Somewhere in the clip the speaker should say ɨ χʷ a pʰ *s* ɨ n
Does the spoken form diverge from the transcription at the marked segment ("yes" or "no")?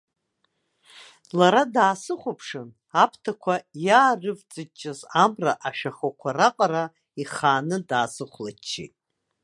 yes